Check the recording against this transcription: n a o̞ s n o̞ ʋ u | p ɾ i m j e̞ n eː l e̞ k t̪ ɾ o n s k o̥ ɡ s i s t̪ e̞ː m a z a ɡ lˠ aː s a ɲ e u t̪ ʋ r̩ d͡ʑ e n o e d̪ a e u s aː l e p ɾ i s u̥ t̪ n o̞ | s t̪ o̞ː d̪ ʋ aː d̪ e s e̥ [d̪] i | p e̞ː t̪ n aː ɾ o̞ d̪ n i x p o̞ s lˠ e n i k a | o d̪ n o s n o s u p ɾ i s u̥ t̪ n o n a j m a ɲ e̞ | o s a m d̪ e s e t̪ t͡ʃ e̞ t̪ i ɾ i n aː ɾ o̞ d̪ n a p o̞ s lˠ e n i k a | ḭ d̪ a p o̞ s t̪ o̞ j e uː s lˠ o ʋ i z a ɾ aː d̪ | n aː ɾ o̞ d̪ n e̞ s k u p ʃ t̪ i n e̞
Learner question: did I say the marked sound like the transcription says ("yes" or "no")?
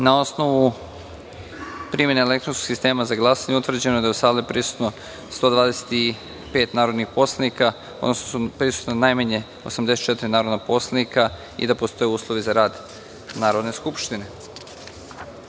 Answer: no